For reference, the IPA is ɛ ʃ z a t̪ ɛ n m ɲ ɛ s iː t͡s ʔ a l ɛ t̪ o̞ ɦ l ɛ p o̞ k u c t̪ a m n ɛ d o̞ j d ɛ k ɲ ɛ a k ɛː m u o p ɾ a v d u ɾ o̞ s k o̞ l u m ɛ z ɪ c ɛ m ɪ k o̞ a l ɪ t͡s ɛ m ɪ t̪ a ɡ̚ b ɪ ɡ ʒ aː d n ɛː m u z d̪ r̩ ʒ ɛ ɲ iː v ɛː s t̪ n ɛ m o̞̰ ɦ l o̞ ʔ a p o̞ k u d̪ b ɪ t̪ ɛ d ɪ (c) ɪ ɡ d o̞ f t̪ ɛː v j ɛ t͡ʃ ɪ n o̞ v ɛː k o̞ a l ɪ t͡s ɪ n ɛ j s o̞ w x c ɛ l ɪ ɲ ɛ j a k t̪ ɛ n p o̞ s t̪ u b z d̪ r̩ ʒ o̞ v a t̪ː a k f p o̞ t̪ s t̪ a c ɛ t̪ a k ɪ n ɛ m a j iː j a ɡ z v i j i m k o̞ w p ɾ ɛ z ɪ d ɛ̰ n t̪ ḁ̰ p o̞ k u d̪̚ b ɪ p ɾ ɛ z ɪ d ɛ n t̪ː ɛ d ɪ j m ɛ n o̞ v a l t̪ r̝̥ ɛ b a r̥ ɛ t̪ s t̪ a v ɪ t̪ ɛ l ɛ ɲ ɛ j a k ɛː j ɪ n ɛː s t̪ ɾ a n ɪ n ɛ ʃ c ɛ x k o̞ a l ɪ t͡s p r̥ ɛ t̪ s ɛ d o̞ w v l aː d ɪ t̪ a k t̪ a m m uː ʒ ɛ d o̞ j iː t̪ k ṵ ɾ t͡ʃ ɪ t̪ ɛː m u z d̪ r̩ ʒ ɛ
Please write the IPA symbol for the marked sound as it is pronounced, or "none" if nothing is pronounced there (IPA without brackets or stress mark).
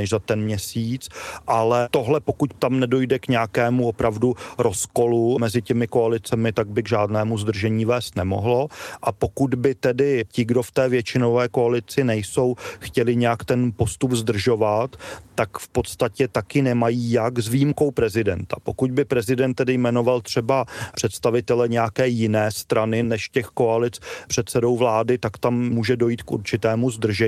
c